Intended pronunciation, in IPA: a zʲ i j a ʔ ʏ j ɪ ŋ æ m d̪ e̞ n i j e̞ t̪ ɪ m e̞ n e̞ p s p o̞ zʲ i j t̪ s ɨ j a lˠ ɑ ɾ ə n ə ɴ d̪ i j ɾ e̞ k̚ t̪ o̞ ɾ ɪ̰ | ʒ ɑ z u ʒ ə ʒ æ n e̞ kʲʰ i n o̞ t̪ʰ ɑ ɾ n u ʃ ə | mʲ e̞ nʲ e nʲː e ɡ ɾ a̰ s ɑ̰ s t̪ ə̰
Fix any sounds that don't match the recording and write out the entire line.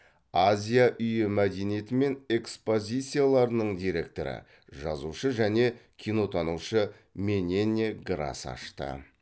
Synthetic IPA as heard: a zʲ i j a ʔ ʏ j ɪ m æ d̪ e̞ n i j e̞ t̪ ɪ m e̞ n e̞ k s p o̞ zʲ i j t̪ s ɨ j a lˠ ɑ ɾ ə n ə ɴ d̪ i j ɾ e̞ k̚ t̪ o̞ ɾ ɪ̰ | ʒ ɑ z u ʃ ə ʒ æ n e̞ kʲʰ i n o̞ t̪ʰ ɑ n u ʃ ə | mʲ e̞ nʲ e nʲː e ɡ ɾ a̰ s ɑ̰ ʃ t̪ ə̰